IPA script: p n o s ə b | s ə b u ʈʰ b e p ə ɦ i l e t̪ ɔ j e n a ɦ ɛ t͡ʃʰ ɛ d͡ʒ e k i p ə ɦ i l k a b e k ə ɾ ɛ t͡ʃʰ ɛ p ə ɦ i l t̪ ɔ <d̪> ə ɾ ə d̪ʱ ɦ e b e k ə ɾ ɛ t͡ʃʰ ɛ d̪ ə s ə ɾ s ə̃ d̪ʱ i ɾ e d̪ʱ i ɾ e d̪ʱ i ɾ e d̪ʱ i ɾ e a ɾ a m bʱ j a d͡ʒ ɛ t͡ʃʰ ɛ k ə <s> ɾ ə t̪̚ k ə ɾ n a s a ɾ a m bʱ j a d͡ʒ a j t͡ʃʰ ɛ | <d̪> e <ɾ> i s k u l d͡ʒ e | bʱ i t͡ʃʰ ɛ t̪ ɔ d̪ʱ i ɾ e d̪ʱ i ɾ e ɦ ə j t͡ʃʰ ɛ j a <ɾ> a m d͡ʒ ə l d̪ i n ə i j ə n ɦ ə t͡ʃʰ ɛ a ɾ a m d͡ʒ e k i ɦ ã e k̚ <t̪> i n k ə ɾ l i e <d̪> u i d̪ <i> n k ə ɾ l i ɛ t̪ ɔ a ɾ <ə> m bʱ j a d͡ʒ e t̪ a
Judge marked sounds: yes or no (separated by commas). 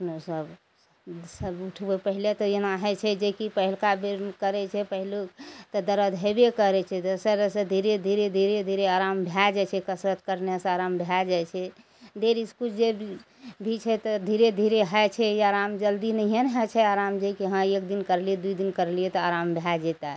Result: yes, yes, yes, yes, yes, no, yes, yes, no